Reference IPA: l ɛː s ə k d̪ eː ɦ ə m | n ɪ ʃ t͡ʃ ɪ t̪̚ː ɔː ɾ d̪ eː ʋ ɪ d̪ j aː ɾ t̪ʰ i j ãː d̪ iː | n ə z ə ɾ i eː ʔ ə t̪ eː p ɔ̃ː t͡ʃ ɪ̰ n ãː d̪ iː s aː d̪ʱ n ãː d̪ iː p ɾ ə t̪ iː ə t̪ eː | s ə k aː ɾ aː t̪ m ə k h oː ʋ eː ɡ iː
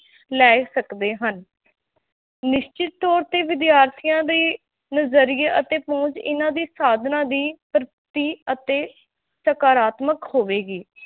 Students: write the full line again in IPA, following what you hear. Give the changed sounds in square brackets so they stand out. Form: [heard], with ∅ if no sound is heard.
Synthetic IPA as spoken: l ɛː s ə k d̪ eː ɦ ə [n] | n ɪ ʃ t͡ʃ ɪ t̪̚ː ɔː ɾ [t̪] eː ʋ ɪ d̪ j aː ɾ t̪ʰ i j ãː d̪ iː | n ə z ə ɾ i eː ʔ ə t̪ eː p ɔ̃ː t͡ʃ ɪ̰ n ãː d̪ iː s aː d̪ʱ n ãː d̪ iː p ɾ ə t̪ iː ə t̪ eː | s ə k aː ɾ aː t̪ m ə k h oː ʋ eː ɡ iː